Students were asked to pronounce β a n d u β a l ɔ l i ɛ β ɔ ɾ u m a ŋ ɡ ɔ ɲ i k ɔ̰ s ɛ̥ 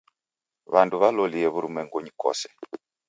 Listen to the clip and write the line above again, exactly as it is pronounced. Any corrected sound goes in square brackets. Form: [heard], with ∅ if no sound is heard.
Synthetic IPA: β a n d u β a l ɔ l i ɛ β [u] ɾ u m [ɛ] ŋ ɡ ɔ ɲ i k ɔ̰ s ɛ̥

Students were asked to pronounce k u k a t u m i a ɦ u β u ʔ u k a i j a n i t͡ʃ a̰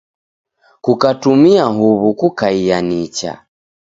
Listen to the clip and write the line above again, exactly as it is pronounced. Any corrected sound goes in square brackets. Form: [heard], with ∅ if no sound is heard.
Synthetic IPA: k u k a t u m i a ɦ u β u [k] u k a i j a n i t͡ʃ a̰

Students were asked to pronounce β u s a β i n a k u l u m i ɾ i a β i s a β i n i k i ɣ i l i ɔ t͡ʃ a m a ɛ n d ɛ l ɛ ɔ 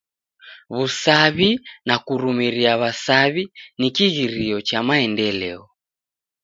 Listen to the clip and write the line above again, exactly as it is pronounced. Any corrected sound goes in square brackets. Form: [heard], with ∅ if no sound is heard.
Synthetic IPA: β u s a β i n a k u [ɾ] u m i ɾ i a β [a] s a β i n i k i ɣ i [ɾ] i ɔ t͡ʃ a m a ɛ n d ɛ l ɛ ɔ

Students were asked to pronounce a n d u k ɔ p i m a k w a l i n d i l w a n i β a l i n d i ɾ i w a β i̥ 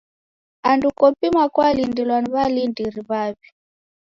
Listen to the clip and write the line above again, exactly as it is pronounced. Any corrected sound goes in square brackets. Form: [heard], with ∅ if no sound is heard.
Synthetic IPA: a n d u k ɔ p i m a k w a l i n d i l w a n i β a l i n d i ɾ i [β] a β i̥

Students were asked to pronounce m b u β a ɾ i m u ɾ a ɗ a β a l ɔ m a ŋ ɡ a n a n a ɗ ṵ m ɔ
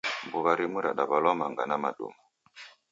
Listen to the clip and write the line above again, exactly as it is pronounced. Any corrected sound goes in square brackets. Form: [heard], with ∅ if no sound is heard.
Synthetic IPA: m b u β a ɾ i m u ɾ a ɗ a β a l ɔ m a ŋ ɡ a n a [m] a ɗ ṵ m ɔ

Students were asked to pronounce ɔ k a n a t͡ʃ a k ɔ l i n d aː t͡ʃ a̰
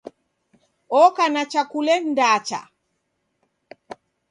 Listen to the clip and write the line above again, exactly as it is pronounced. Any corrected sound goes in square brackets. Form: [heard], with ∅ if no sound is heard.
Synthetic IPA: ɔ k a n a t͡ʃ a k [u] l [ɛ] n d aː t͡ʃ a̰

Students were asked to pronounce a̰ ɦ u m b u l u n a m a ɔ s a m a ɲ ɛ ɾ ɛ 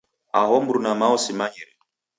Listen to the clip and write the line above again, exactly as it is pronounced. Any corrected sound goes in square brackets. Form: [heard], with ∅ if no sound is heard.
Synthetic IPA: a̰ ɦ [ɔ] m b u [ɾ] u n a m a ɔ s [i] m a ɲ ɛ ɾ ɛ

